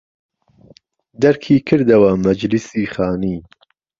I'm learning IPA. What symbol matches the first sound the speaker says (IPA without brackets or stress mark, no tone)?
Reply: d̪